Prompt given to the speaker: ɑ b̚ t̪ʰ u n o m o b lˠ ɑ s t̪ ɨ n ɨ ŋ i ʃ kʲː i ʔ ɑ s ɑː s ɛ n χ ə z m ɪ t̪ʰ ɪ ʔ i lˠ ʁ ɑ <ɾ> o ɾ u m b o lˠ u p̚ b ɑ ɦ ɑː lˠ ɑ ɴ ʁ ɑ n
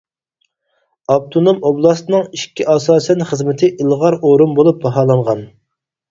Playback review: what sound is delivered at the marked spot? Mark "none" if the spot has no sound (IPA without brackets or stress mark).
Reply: ɾ